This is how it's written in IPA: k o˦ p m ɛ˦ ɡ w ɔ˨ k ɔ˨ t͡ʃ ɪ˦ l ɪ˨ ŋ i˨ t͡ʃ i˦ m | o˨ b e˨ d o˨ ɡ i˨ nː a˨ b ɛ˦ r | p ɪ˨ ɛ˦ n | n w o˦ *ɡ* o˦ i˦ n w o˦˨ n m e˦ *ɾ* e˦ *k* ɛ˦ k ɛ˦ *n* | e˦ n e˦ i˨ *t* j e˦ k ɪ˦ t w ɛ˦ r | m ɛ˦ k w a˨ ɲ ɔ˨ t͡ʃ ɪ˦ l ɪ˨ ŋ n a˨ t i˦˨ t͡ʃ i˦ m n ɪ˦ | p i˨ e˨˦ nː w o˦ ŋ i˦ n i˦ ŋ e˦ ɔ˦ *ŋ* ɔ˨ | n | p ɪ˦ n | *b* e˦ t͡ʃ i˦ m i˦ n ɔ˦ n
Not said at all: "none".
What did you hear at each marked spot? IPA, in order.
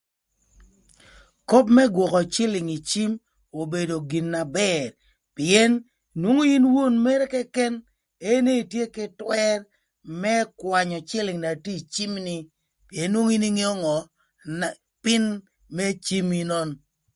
ŋ, ɾ, k, n, t, ŋ, m

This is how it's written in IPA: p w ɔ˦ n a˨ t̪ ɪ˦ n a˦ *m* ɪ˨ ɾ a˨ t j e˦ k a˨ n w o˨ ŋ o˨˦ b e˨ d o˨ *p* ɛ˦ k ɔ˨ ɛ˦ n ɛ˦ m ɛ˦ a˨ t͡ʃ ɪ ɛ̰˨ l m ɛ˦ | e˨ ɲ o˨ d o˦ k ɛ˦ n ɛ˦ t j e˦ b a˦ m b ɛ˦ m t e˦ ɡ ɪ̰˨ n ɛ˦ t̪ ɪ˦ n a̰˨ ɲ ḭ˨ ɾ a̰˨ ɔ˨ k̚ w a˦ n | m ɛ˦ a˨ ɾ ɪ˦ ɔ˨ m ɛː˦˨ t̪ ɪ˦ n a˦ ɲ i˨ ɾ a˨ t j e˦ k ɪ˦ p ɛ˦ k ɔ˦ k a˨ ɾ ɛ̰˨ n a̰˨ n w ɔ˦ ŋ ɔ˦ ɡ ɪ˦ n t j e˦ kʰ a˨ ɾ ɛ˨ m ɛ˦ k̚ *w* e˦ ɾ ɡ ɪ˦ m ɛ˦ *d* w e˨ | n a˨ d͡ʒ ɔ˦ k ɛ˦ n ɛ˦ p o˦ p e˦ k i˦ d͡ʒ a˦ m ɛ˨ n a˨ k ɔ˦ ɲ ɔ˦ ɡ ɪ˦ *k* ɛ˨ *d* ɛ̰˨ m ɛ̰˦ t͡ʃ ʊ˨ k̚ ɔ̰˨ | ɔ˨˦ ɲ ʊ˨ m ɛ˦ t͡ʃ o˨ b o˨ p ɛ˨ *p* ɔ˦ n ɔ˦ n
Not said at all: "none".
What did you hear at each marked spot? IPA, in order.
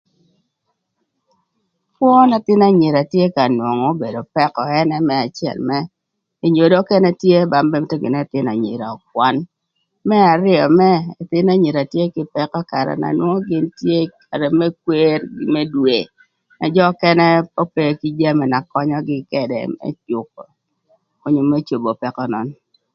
ɲ, p, w, d, k, d, k

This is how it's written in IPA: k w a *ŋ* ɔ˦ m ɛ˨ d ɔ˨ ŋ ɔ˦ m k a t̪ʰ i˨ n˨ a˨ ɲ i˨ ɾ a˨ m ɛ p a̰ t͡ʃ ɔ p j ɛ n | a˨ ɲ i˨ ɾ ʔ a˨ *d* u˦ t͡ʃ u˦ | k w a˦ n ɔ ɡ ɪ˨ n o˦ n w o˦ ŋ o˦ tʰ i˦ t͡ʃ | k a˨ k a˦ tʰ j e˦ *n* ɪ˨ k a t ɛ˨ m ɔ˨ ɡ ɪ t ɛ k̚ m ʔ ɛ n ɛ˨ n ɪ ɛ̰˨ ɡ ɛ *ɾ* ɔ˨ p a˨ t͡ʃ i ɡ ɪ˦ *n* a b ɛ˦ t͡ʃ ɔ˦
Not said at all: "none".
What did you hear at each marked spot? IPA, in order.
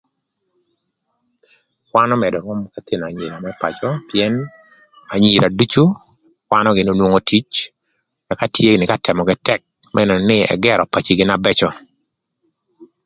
n, d, n, ɾ, n

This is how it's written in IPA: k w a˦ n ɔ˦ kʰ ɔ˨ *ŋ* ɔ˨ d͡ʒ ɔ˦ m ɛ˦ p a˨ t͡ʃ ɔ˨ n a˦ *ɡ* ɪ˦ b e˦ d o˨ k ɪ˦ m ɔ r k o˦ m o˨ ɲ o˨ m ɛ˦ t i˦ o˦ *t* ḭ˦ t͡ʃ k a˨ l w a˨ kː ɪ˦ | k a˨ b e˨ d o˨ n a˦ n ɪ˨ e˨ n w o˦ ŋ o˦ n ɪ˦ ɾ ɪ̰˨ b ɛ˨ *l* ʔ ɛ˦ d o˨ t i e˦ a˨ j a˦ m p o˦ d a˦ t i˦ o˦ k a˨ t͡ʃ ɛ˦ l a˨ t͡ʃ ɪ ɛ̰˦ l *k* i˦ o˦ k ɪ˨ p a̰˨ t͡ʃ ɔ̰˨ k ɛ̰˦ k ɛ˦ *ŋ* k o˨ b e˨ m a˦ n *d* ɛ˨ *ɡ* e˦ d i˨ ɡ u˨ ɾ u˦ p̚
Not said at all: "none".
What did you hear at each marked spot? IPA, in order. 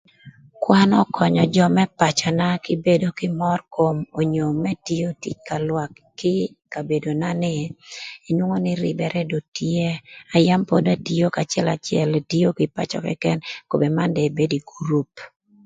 ɲ, k, t, ɾ, t, n, d, b

